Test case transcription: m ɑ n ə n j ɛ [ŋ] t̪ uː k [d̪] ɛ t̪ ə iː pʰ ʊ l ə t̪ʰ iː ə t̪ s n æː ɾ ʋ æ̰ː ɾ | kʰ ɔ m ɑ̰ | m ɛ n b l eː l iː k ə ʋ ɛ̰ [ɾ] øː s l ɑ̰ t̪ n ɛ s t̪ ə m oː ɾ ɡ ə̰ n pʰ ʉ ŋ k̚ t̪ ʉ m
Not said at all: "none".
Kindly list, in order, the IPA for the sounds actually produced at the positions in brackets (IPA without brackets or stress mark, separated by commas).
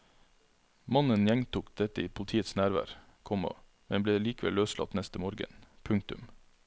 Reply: ŋ, d̪, l